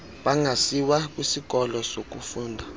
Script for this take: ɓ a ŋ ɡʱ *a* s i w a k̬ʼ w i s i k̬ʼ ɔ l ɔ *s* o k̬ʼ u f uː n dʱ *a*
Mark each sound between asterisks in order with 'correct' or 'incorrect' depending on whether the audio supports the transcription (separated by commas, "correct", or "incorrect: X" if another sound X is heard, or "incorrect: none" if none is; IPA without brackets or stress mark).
correct, correct, correct